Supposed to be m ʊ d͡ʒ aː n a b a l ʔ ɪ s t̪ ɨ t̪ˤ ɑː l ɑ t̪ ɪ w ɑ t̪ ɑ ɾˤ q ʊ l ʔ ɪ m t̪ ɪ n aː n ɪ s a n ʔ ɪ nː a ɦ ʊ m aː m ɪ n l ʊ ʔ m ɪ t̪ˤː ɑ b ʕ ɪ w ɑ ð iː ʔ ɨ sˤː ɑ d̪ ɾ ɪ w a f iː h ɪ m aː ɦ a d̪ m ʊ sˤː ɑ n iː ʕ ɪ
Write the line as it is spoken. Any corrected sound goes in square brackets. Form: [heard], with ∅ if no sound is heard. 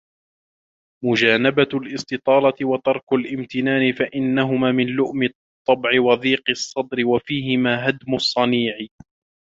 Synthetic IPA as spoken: m ʊ d͡ʒ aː n a b a l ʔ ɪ s t̪ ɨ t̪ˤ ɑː l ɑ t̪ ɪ w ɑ t̪ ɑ ɾˤ [k] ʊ l ʔ ɪ m t̪ ɪ n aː n ɪ [f] a [∅] ʔ ɪ nː a ɦ ʊ m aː m ɪ n l ʊ ʔ m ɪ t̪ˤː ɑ b ʕ ɪ w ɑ ð iː [q] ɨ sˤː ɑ d̪ ɾ ɪ w a f iː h ɪ m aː ɦ a d̪ m ʊ sˤː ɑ n iː ʕ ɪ

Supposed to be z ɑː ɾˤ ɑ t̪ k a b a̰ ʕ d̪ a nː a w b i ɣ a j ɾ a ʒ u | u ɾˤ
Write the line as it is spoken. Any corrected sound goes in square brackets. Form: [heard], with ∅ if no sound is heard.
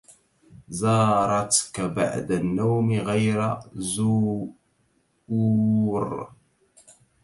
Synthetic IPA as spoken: z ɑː ɾˤ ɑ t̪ k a b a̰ ʕ d̪ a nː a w [m] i ɣ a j ɾ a [z] u | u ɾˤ

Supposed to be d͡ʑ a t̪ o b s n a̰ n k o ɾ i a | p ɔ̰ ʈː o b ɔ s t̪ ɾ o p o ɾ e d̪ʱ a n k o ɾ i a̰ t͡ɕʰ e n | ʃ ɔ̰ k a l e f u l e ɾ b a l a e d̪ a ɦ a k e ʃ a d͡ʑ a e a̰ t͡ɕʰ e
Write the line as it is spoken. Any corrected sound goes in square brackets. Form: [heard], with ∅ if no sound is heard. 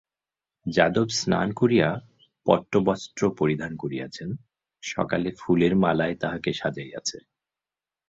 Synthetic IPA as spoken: d͡ʑ a [d̪] o b s n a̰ n k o ɾ i a | p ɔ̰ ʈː o b ɔ s t̪ ɾ o p o ɾ [i] d̪ʱ a n k o ɾ i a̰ t͡ɕʰ e n | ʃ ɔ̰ k a l e f u l e ɾ [m] a l a e [t̪] a ɦ a k e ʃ a d͡ʑ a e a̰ t͡ɕʰ e

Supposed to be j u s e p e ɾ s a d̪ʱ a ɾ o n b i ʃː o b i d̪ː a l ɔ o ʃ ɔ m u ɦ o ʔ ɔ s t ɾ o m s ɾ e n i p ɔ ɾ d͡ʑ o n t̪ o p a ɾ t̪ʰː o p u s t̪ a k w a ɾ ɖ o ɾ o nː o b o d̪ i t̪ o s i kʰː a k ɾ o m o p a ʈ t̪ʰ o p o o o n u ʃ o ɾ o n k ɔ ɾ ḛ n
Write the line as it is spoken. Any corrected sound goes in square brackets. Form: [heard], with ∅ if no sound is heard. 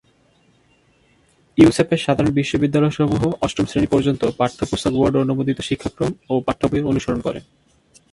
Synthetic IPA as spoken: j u s e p e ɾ [ʃ] a d̪ʱ a ɾ o n b i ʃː o b i d̪ː a l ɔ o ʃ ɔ m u ɦ o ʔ ɔ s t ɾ o m s ɾ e n i p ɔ ɾ d͡ʑ o n t̪ o p a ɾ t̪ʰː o p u s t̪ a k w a ɾ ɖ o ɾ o [n] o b o d̪ i t̪ o [ʃ] i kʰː a k ɾ o m o p a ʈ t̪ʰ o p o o o n u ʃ o ɾ o n k ɔ ɾ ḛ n

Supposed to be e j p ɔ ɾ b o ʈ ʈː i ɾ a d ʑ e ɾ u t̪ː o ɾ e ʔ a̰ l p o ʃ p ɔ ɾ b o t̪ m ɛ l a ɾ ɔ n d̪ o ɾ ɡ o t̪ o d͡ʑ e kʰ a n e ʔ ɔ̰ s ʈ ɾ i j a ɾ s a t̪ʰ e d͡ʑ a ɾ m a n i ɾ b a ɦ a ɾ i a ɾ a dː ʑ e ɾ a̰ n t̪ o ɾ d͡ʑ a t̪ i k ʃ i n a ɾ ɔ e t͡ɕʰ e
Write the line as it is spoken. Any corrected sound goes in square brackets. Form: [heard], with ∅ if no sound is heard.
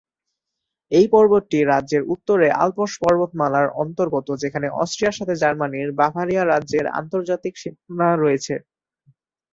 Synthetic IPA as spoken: e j p ɔ ɾ b o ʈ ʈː i ɾ a d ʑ e ɾ u t̪ː o ɾ e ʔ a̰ l p o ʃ p ɔ ɾ b o t̪ m [a] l a ɾ ɔ n [t̪] o ɾ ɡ o t̪ o d͡ʑ e kʰ a n e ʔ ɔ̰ s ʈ ɾ i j a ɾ [ʃ] a t̪ʰ e d͡ʑ a ɾ m a n i ɾ b a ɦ a ɾ i a ɾ a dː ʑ e ɾ a̰ n t̪ o ɾ d͡ʑ a t̪ i k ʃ i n a ɾ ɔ e t͡ɕʰ e

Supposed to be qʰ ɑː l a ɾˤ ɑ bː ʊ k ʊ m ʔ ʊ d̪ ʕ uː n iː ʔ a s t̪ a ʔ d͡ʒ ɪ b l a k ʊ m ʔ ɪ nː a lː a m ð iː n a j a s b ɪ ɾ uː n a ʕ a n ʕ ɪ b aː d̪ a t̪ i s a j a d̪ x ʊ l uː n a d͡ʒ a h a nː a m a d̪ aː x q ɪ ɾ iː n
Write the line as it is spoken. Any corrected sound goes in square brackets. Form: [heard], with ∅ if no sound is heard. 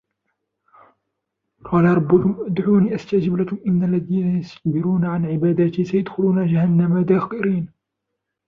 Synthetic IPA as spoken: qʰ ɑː l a ɾˤ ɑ bː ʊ k ʊ m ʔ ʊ d̪ ʕ uː n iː ʔ a s t̪ a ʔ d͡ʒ ɪ b l a k ʊ m ʔ ɪ nː a lː a [∅] ð iː n a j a s b ɪ ɾ uː n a ʕ a n ʕ ɪ b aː d̪ a t̪ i s a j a d̪ x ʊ l uː n a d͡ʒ a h a nː a m a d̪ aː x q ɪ ɾ iː n

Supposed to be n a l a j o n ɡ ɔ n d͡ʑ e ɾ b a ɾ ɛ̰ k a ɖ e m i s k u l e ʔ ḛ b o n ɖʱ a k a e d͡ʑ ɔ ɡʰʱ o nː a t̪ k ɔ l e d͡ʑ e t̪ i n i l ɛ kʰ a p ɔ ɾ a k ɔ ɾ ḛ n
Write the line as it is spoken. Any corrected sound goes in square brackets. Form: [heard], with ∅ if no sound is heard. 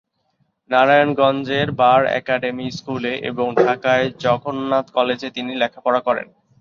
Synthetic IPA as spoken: n a [ɾ] a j o n ɡ ɔ n d͡ʑ e ɾ b a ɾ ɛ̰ k a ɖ e m i s k u l e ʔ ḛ b o [ŋ] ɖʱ a k a e d͡ʑ ɔ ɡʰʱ o nː a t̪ k ɔ l e d͡ʑ e t̪ i n i l ɛ kʰ a p ɔ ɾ a k ɔ ɾ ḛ n

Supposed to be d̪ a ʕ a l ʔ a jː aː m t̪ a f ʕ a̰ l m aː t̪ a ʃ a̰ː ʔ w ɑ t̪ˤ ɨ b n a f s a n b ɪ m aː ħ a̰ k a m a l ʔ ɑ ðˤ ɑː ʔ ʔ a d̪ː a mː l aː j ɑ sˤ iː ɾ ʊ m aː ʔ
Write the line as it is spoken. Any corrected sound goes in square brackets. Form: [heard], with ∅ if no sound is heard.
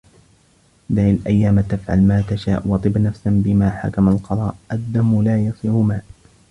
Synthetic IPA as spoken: d̪ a ʕ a l ʔ a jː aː m t̪ a f ʕ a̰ l m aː t̪ a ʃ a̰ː ʔ w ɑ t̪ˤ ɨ b n a f s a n b ɪ m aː ħ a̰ k a m a l [q] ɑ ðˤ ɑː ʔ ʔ a d̪ː a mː l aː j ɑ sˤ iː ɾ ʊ m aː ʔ

